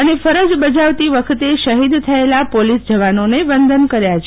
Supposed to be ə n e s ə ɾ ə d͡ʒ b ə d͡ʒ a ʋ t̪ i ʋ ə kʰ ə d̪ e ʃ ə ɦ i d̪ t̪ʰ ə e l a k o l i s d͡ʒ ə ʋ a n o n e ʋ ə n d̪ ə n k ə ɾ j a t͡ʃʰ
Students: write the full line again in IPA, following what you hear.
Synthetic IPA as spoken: ə n e f ə ɾ ə d͡ʒ b ə d͡ʒ a ʋ t̪ i ʋ ə kʰ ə t̪ e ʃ ə ɦ i d̪ t̪ʰ ə e l a p o l i s d͡ʒ ə ʋ a n o n e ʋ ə n d̪ ə n k ə ɾ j a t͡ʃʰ